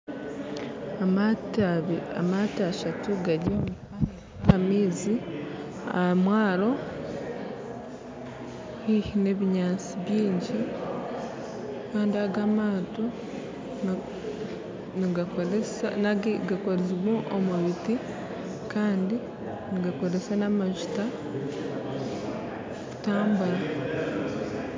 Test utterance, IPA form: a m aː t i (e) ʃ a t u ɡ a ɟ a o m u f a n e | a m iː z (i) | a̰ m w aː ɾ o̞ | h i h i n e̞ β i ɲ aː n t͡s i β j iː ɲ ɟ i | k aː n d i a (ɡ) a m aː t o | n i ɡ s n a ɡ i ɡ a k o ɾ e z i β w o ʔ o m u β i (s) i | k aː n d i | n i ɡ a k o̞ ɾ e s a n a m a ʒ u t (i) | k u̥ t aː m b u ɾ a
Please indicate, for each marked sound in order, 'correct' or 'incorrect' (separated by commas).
incorrect, correct, correct, incorrect, incorrect